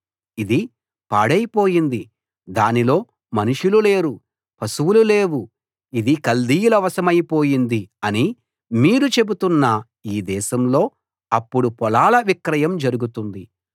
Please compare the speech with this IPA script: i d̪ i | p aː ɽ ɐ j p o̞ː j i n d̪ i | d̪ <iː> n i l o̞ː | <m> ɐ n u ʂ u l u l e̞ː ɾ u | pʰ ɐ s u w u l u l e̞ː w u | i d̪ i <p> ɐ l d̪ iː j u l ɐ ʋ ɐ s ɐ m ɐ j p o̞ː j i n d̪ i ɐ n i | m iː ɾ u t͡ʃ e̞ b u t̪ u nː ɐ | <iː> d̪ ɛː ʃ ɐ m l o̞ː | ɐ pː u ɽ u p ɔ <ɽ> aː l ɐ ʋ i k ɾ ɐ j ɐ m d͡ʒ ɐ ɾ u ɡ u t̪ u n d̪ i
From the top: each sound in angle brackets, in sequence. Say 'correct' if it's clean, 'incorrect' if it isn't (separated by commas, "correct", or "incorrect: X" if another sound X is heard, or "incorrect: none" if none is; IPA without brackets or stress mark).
incorrect: aː, correct, incorrect: k, correct, incorrect: l